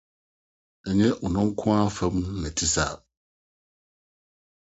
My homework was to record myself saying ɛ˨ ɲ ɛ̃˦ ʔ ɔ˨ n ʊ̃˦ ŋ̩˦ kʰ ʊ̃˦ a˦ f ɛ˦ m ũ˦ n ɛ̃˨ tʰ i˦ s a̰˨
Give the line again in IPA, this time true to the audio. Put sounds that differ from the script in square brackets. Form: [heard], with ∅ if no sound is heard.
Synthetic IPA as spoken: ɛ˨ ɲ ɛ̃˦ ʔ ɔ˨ n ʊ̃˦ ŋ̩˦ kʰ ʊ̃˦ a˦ f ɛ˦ m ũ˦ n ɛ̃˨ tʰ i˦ s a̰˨